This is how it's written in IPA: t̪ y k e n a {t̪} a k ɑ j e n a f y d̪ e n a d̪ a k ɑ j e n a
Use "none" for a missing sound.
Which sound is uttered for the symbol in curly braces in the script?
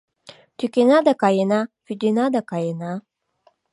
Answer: d̪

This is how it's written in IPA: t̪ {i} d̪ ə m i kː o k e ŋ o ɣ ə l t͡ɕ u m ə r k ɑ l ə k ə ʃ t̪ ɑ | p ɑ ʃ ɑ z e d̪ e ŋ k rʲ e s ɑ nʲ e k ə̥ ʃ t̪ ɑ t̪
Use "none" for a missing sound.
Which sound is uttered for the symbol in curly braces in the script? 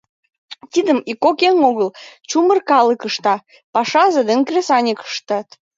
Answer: i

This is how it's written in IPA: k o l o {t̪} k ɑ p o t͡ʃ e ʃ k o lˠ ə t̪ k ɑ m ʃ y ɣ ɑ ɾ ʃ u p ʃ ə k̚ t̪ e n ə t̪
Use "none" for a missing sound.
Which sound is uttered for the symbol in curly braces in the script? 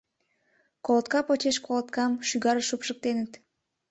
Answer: t̪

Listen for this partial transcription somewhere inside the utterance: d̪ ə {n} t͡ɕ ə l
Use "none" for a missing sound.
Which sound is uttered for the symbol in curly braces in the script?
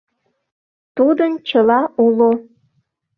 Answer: n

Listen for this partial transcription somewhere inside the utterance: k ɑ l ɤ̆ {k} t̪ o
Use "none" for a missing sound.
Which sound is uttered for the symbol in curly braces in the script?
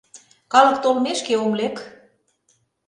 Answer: k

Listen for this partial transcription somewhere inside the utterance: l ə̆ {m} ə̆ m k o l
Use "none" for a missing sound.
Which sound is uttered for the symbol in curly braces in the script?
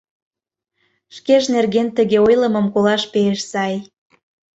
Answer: m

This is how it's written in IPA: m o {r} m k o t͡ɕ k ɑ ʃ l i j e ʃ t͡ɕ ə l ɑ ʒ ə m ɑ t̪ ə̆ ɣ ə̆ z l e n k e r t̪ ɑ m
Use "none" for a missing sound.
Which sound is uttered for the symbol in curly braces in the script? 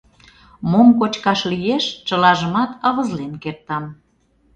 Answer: none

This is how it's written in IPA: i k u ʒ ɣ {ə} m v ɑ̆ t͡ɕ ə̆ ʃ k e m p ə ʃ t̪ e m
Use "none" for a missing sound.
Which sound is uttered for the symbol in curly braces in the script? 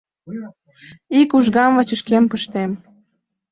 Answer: ɑ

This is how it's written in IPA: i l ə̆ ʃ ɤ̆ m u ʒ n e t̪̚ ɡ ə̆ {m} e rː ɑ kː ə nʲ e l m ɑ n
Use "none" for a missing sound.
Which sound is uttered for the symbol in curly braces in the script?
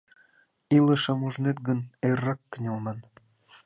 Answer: n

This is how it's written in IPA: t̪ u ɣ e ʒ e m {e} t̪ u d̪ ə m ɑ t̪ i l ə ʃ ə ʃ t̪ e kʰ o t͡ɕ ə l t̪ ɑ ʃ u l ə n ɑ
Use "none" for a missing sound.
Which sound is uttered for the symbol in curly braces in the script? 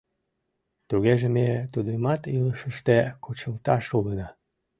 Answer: e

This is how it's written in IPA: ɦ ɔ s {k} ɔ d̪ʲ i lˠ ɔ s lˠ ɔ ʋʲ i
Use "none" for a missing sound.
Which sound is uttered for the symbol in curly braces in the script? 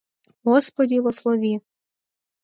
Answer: p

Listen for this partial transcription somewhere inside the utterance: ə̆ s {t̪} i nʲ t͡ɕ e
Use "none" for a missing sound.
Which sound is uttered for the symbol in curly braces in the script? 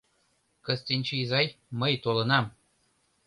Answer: t̪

